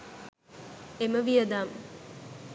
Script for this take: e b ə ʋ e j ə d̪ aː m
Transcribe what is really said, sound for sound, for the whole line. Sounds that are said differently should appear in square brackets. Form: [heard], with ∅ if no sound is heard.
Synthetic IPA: e [m] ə ʋ [i] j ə d̪ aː m